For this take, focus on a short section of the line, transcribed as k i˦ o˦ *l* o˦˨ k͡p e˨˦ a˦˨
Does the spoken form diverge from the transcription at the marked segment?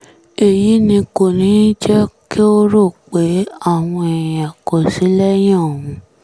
yes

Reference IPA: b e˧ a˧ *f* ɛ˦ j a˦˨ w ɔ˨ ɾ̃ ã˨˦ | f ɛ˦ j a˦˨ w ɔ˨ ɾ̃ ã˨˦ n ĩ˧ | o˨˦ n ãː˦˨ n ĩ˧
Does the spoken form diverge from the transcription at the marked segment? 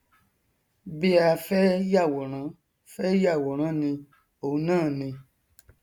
no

